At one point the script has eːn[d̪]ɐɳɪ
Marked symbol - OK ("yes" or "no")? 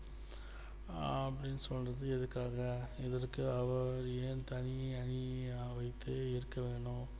no